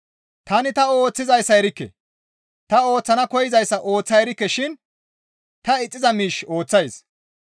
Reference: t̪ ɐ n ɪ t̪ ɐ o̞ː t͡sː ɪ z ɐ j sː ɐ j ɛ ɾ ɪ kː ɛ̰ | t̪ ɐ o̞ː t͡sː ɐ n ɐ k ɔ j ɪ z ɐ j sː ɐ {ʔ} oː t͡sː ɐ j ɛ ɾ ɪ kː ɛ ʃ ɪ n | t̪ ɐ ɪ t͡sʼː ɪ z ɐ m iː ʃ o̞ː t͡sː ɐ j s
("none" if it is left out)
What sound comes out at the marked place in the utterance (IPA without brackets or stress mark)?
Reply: ʔ